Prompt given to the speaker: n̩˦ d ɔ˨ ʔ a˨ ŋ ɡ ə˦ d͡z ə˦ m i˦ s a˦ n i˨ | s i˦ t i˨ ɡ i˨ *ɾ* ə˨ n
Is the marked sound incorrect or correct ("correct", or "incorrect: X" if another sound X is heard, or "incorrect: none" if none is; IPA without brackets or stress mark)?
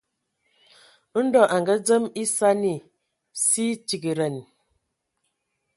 correct